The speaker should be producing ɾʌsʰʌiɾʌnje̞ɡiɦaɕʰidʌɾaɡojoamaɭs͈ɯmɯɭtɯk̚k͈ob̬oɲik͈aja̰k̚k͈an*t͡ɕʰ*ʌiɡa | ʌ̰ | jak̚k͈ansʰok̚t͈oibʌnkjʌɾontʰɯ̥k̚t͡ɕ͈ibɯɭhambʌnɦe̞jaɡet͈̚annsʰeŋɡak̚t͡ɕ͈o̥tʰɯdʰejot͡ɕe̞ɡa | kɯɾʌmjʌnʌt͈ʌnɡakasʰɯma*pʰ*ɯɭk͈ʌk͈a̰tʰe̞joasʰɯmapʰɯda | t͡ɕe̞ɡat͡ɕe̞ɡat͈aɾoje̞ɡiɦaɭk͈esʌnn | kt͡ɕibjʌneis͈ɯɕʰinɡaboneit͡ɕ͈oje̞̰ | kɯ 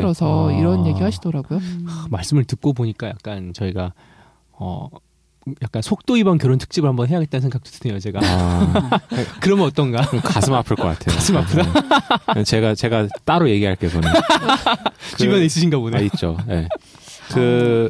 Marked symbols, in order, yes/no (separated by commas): no, yes